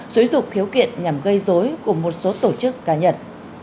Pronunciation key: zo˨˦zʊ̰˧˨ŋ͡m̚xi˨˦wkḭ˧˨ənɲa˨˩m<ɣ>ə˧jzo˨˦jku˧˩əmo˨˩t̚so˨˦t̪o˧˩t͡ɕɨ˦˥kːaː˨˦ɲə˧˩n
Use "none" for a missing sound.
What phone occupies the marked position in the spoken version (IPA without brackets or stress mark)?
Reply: ɣ